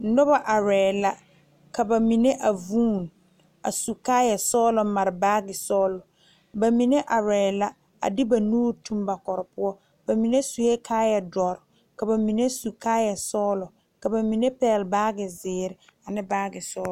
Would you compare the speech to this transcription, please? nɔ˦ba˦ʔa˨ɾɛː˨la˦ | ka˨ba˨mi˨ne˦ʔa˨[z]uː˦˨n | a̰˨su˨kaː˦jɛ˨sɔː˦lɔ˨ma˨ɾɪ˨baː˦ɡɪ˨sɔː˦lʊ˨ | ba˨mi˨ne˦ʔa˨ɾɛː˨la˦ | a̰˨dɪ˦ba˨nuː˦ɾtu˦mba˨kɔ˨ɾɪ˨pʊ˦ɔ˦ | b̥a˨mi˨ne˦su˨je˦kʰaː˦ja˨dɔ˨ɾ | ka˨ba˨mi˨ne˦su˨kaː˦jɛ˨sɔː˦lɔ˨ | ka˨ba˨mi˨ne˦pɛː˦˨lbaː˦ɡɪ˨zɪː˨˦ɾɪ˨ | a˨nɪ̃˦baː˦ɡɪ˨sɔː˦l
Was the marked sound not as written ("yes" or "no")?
yes